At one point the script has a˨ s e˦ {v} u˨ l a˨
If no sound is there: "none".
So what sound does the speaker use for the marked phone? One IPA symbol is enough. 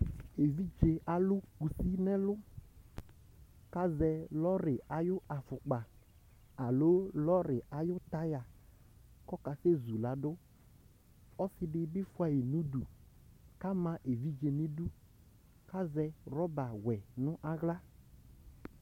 z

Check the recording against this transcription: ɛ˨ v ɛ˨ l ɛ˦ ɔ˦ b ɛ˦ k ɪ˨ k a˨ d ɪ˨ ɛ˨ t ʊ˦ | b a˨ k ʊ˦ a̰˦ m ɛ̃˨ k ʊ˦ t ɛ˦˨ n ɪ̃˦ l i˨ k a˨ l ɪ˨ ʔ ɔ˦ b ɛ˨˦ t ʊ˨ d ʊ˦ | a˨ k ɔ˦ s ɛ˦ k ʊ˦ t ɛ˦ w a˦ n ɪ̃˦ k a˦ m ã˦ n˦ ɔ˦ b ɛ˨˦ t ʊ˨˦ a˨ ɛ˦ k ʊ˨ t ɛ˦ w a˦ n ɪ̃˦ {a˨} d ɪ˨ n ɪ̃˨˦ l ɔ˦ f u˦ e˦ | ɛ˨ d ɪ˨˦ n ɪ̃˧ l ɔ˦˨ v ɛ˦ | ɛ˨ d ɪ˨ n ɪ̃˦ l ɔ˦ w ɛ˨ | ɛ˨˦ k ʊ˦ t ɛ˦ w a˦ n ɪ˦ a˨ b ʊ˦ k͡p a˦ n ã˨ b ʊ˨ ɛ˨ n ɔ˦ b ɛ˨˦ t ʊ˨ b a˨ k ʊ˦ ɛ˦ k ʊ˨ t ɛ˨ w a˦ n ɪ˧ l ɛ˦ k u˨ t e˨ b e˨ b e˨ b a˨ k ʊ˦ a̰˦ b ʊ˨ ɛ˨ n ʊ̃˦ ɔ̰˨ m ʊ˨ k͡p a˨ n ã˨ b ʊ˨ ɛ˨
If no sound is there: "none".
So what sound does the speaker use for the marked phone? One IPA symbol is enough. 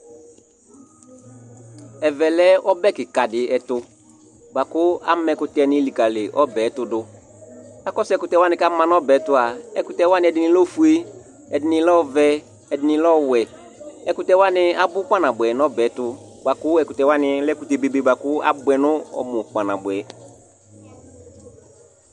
ɛ˨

